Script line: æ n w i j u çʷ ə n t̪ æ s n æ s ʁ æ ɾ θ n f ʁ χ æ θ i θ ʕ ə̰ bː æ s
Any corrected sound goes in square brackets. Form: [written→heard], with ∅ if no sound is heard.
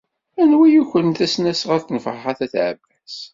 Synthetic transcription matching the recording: æ n w i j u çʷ ə n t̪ æ s n æ s ʁ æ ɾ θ n f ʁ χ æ θ [i→æ] θ ʕ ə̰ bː æ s